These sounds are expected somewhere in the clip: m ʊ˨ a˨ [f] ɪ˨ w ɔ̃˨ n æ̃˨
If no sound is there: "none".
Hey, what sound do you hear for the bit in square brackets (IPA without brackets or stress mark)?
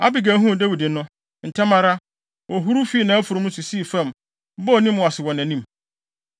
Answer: s